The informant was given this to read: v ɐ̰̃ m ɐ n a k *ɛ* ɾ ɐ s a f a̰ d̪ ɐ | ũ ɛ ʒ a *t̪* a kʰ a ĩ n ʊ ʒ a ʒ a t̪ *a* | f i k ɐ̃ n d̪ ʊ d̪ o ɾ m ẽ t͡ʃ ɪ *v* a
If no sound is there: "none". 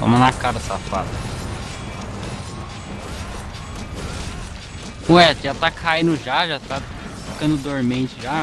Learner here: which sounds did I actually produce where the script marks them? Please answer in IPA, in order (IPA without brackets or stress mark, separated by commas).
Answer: a, t̪, a, ʒ